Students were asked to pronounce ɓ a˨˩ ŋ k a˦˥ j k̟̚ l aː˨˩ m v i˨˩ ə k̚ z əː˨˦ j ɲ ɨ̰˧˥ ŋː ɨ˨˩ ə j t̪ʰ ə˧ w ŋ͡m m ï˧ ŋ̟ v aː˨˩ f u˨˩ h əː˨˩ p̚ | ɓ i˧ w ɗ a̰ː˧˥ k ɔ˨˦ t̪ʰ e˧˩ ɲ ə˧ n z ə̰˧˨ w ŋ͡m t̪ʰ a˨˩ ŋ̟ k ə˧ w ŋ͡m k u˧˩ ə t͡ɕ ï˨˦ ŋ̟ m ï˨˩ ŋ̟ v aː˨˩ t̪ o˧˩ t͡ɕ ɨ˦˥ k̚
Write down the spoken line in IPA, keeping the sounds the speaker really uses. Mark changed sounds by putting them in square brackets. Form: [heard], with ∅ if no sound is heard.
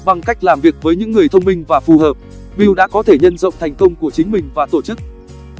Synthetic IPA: ɓ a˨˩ ŋ k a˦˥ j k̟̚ l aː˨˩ m v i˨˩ ə k̚ [v] əː˨˦ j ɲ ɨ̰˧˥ ŋː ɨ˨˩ ə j t̪ʰ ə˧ w ŋ͡m m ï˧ ŋ̟ v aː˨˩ f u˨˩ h əː˨˩ p̚ | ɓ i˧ w ɗ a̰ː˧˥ k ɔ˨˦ t̪ʰ e˧˩ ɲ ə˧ n z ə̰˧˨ w ŋ͡m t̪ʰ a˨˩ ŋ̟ k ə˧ w ŋ͡m k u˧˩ ə t͡ɕ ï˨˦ ŋ̟ m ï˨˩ ŋ̟ v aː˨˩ t̪ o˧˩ t͡ɕ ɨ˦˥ k̚

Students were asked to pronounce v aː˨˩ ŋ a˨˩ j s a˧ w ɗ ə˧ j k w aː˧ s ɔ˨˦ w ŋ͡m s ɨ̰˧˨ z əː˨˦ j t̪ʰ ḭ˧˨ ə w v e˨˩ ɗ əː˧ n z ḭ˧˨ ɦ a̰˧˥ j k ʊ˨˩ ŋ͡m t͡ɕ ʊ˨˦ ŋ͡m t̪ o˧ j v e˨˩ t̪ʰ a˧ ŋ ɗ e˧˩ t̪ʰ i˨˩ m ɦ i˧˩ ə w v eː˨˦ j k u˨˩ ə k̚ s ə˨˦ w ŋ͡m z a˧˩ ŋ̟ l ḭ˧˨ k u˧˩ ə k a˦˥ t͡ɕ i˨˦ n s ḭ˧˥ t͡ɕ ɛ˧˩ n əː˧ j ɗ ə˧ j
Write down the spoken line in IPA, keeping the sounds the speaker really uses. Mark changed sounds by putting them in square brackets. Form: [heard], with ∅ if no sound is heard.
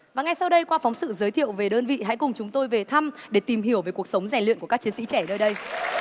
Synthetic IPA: v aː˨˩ ŋ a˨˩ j s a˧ w ɗ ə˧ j k w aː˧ [f] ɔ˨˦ w ŋ͡m s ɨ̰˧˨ z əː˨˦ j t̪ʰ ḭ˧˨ ə w v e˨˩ ɗ əː˧ n [v] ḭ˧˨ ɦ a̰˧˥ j k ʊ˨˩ ŋ͡m t͡ɕ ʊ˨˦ ŋ͡m t̪ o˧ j v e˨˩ t̪ʰ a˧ [m] ɗ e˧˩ [t̪] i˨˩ m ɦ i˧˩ ə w v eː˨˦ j k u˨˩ ə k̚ s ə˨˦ w ŋ͡m z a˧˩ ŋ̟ l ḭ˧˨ k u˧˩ ə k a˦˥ t͡ɕ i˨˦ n s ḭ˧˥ t͡ɕ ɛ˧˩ n əː˧ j ɗ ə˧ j

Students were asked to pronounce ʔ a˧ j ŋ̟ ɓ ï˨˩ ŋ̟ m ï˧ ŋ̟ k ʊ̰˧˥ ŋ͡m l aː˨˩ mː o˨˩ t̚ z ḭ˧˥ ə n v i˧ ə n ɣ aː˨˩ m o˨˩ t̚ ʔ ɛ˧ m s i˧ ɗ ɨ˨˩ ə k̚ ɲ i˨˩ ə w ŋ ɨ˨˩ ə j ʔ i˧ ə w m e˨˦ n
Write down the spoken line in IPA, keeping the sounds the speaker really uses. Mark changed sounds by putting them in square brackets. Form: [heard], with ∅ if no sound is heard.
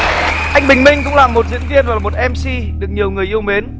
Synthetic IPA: ʔ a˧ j ŋ̟ ɓ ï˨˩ ŋ̟ m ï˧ ŋ̟ k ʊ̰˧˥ ŋ͡m l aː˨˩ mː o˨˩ t̚ z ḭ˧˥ ə n v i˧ ə n [v] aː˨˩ m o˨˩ t̚ ʔ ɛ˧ m s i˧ ɗ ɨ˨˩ ə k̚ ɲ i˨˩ ə w ŋ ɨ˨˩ ə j ʔ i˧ ə w m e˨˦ n

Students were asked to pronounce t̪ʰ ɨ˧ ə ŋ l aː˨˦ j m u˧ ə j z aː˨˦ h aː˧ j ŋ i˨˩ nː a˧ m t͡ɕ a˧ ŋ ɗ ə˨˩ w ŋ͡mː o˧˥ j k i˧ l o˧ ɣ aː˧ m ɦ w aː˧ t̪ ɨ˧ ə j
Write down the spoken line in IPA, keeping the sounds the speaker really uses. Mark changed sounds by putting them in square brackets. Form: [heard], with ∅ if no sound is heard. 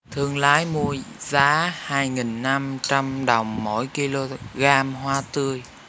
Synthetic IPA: t̪ʰ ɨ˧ ə ŋ l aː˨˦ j m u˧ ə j z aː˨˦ h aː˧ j ŋ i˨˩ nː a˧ m t͡ɕ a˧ [m] ɗ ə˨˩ w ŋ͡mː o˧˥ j k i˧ l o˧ ɣ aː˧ m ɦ w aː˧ t̪ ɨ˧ ə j

